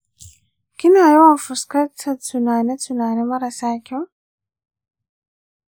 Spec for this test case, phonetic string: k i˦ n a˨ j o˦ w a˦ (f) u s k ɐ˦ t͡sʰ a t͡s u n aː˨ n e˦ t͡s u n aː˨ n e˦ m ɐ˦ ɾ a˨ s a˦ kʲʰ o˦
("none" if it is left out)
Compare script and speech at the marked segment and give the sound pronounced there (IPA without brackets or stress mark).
f